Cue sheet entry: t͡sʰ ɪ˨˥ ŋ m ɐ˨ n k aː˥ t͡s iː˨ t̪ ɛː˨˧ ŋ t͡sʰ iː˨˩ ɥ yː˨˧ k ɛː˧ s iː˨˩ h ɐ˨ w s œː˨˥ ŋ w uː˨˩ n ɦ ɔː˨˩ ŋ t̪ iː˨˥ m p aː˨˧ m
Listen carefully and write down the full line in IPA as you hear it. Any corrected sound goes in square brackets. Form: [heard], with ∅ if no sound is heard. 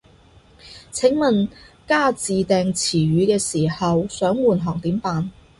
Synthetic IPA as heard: t͡sʰ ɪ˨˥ ŋ m ɐ˨ n k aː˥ t͡s iː˨ t̪ ɛː˨˧ ŋ t͡sʰ iː˨˩ ɥ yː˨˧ k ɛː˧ s iː˨˩ h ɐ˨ w s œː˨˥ ŋ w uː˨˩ n ɦ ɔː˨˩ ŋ t̪ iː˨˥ m p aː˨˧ [n]